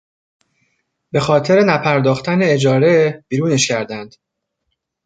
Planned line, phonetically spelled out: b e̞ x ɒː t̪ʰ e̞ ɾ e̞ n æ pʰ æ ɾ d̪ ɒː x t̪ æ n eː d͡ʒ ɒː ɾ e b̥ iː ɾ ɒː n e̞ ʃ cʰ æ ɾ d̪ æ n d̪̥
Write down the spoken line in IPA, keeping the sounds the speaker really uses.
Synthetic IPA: b e̞ x ɒː t̪ʰ e̞ ɾ e̞ n æ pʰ æ ɾ d̪ ɒː x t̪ æ n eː d͡ʒ ɒː ɾ e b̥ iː ɾ uː n e̞ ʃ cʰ æ ɾ d̪ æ n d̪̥